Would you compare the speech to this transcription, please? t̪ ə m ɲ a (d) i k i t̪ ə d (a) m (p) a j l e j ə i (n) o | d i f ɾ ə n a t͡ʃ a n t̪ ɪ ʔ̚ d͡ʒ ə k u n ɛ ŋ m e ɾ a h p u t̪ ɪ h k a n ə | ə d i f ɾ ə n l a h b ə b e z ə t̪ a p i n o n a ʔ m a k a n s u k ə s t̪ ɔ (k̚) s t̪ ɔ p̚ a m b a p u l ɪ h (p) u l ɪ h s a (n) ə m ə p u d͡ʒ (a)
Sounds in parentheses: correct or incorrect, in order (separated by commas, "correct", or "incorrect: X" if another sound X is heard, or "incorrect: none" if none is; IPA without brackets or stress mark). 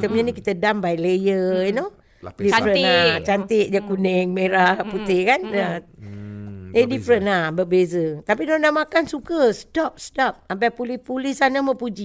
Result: incorrect: n, correct, incorrect: b, correct, incorrect: p̚, correct, correct, incorrect: i